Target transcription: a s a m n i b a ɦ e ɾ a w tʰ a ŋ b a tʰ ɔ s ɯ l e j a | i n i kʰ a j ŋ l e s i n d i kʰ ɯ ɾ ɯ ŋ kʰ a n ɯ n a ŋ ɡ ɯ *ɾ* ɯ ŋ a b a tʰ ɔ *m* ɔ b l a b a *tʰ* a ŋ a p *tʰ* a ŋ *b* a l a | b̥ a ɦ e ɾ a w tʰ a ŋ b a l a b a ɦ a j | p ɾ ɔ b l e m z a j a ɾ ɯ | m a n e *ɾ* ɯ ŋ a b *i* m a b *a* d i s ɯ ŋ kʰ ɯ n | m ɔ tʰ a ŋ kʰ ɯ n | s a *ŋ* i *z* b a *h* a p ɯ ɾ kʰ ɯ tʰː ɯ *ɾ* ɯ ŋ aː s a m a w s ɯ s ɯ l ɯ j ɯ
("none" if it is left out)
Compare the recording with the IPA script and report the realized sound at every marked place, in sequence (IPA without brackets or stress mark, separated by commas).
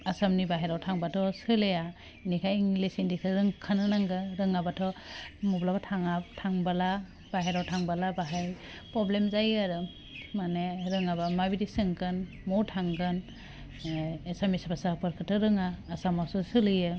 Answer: ɾ, m, tʰ, tʰ, b, ɾ, a, i, m, s, s, ɾ